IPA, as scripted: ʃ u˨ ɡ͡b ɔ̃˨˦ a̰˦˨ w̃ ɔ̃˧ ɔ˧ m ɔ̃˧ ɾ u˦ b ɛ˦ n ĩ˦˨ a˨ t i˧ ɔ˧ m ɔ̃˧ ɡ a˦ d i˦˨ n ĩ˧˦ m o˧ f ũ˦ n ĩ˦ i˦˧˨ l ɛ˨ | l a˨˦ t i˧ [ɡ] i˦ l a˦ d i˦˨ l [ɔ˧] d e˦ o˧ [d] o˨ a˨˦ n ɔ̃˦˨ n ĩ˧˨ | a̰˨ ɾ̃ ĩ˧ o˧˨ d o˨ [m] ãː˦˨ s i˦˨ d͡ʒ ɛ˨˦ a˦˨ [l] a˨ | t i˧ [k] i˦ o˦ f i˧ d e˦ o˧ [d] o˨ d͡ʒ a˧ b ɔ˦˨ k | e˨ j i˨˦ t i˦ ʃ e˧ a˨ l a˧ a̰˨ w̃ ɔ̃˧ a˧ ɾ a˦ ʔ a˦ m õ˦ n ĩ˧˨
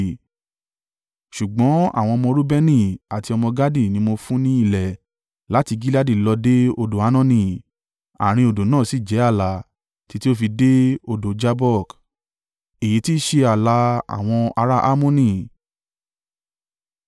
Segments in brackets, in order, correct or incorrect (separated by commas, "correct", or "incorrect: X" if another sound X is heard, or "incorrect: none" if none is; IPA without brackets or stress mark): correct, correct, correct, incorrect: n, correct, incorrect: t, correct